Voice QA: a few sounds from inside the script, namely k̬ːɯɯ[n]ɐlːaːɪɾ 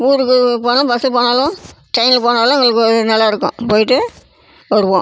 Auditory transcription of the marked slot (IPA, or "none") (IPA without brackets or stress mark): n